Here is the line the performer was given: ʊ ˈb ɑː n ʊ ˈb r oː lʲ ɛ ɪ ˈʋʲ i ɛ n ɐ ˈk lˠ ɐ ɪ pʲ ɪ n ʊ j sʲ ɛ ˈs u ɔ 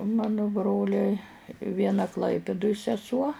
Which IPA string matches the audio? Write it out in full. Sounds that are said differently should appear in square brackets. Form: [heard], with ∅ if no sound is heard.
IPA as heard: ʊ [ˈm] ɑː n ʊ ˈb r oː lʲ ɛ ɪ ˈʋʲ i ɛ n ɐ ˈk lˠ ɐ ɪ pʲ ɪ [d] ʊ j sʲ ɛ ˈs u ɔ